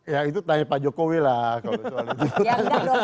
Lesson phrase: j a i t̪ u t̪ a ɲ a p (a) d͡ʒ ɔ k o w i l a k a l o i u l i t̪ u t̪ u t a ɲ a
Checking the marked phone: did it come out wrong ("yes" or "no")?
no